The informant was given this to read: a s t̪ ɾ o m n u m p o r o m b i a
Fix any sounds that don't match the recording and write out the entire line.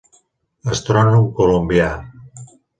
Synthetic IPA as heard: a s t̪ ɾ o n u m k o l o m b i a